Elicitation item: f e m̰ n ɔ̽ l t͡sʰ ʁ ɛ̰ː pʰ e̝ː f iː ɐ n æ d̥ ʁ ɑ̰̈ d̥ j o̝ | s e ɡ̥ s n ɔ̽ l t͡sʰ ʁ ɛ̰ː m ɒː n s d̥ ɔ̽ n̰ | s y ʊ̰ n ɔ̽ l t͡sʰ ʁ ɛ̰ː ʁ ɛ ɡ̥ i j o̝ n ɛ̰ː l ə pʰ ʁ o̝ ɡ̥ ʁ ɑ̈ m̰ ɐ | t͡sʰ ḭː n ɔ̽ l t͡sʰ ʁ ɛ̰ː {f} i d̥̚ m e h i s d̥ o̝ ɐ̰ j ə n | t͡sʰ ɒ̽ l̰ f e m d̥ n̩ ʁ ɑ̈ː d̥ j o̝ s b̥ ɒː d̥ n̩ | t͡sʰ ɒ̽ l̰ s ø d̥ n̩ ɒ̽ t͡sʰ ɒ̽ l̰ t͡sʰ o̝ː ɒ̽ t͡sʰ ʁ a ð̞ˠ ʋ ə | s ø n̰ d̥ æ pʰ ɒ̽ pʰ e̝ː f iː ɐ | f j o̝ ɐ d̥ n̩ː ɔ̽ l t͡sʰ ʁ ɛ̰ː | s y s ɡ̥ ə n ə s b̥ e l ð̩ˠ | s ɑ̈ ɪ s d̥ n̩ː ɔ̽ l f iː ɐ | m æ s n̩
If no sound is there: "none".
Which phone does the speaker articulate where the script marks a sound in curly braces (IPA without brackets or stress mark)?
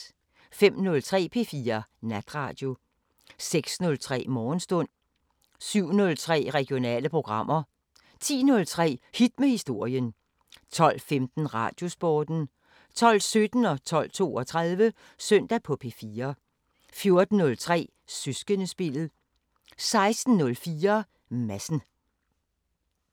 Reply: h